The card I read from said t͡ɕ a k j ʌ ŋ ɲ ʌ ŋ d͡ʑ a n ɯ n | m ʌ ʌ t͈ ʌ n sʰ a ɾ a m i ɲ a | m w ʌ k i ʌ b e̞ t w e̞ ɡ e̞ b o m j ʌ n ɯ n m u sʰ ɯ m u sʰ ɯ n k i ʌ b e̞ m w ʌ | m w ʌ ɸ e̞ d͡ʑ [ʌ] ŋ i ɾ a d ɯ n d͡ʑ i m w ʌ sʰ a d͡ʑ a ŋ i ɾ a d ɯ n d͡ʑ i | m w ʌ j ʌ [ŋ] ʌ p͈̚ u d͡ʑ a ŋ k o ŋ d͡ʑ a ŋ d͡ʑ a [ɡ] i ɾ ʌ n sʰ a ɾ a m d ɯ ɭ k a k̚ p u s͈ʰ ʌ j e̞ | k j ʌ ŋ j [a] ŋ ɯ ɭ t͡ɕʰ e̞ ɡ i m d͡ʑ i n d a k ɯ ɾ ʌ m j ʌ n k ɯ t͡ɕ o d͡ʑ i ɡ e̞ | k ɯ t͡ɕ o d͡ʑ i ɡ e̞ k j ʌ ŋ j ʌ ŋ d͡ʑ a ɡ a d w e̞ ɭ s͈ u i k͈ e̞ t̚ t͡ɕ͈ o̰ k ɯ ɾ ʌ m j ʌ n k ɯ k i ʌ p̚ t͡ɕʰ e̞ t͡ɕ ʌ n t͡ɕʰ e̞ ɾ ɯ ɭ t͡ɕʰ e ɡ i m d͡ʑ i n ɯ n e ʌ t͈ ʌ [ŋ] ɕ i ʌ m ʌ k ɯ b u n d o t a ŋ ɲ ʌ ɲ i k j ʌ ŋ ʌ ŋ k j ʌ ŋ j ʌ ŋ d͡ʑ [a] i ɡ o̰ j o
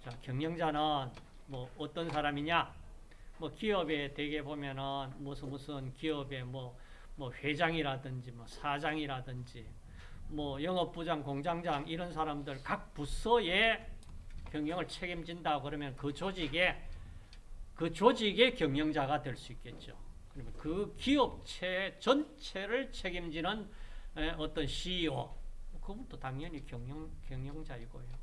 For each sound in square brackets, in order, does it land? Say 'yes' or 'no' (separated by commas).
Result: no, yes, no, no, no, yes